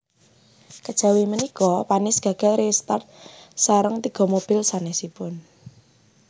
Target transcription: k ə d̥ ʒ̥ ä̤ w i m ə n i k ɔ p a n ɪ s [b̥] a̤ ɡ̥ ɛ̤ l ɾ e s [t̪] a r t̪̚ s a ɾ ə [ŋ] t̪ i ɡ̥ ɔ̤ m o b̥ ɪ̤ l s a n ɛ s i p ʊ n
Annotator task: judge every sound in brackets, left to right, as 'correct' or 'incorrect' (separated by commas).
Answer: incorrect, correct, correct